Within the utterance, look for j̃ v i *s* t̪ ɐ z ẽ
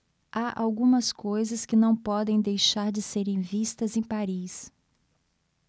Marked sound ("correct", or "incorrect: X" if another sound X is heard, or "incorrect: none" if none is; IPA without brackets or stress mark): correct